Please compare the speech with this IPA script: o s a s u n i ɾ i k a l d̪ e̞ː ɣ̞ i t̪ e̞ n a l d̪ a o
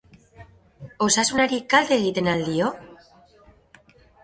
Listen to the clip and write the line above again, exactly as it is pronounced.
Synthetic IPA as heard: o s a s u n a ɾ i k a l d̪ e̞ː ɣ̞ i t̪ e̞ n a l d̪ i o